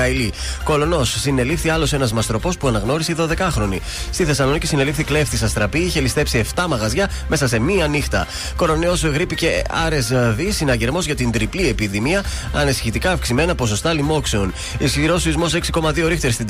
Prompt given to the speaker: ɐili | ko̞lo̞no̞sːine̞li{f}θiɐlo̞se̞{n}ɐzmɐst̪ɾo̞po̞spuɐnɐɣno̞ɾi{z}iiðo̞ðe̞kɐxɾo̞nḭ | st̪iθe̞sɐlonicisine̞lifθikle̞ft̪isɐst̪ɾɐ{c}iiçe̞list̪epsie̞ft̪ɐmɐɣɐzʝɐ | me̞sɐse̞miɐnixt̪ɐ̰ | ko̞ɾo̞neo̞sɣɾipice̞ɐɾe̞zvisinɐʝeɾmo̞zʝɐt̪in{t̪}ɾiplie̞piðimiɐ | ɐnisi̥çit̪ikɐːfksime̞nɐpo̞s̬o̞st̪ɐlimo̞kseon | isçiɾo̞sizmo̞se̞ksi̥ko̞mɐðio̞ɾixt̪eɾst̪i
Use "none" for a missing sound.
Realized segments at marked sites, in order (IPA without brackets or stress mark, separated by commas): f, n, s, p, d̪